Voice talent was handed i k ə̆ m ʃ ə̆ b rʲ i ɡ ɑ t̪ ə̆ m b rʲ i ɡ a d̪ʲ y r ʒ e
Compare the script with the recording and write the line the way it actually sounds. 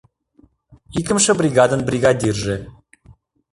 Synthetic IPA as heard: i k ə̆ m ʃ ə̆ b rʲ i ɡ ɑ d̪ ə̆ n b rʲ i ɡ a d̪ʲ i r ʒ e